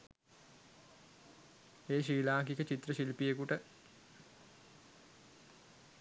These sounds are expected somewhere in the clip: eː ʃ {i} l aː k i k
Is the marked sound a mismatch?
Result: yes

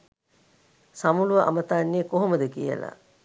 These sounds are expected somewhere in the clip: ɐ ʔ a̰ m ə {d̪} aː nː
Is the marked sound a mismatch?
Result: yes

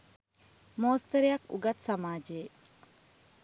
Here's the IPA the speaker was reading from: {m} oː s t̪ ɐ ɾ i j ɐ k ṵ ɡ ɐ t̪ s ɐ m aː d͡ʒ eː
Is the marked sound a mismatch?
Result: no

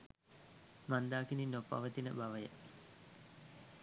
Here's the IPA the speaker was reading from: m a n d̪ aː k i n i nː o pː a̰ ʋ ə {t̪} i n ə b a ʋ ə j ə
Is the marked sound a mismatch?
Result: no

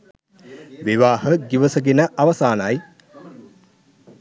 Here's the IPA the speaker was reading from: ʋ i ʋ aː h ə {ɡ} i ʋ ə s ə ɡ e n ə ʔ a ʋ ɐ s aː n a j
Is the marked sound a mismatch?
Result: no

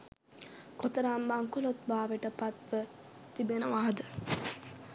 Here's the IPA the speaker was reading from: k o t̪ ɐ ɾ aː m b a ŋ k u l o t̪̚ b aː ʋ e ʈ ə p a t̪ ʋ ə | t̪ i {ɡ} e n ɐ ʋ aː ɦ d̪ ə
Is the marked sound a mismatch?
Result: yes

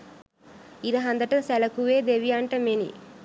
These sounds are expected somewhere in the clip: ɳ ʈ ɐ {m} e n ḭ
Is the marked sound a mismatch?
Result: no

